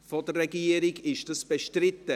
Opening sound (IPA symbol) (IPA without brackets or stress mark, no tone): f